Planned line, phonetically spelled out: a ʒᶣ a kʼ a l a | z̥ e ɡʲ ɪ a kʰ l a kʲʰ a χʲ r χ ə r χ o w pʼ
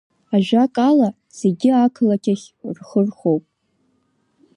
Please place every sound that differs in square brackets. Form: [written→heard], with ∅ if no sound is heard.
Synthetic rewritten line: a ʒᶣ a kʼ a l a | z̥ e ɡʲ ɪ a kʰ l a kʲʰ a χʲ r χ ə r χ o w pʼ